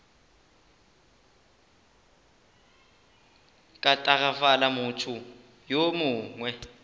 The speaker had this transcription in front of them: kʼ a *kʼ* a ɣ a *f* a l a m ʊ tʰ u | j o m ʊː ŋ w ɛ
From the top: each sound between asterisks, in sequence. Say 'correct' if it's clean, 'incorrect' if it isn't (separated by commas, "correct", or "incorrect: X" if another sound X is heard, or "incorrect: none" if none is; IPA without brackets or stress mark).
incorrect: tʼ, correct